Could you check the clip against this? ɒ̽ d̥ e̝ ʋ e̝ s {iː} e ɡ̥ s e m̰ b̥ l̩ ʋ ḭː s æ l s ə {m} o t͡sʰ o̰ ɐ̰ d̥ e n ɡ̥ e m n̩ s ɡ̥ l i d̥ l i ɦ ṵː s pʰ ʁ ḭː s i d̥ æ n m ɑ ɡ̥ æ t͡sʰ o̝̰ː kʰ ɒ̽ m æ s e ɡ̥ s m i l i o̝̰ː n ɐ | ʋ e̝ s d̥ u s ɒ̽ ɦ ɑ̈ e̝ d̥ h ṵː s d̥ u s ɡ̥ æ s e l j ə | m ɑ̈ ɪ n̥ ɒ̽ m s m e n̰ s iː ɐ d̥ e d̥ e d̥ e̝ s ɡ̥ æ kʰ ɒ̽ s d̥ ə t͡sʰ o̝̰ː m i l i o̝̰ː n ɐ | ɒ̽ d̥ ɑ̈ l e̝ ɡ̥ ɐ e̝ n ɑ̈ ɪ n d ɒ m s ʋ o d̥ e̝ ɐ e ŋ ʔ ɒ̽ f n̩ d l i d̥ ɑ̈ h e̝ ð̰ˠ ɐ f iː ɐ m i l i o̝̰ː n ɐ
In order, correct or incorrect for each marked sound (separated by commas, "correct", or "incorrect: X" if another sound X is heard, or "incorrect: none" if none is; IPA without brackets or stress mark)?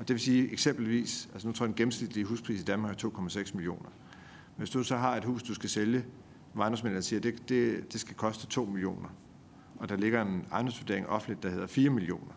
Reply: correct, incorrect: n